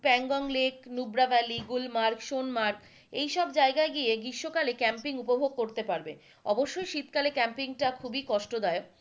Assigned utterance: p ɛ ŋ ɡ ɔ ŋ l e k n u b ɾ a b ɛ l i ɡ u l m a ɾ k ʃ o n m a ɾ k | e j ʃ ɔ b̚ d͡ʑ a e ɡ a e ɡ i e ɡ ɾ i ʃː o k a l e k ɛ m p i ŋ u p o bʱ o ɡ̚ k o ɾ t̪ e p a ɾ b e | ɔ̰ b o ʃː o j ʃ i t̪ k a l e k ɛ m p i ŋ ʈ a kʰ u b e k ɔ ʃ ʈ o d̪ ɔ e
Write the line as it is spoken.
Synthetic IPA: p ɛ ŋ ɡ ɔ ŋ l e k n u b ɾ a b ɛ l i ɡ u l m a ɾ k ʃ o n m a ɾ k | e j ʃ ɔ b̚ d͡ʑ a e ɡ a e ɡ i e ɡ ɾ i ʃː o k a l e k ɛ m p i ŋ u p o bʱ o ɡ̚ k o ɾ t̪ e p a ɾ b e | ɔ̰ b o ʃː o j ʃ i t̪ k a l e k ɛ m p i ŋ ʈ a kʰ u b i k ɔ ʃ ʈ o d̪ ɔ e